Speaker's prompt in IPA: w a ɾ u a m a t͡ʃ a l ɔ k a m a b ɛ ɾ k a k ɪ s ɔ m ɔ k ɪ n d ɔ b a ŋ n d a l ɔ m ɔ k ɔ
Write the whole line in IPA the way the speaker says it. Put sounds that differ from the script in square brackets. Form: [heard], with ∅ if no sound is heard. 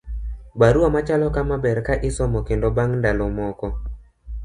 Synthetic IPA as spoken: [b] a ɾ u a m a t͡ʃ a l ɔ k a m a b ɛ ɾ k a [ʔ] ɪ s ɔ m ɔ k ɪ n d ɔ b a ŋ n d a l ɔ m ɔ k ɔ